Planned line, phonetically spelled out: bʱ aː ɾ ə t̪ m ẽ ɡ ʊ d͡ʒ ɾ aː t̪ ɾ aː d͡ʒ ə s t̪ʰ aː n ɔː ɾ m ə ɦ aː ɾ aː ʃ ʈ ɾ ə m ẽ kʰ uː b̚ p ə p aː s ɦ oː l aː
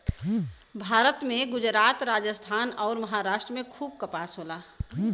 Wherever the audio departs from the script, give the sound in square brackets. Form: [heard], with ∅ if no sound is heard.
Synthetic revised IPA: bʱ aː ɾ ə t̪ m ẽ ɡ ʊ d͡ʒ ɾ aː t̪ ɾ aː d͡ʒ ə s t̪ʰ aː n ɔː ɾ m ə ɦ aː ɾ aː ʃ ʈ ɾ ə m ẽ kʰ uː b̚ [k] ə p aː s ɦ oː l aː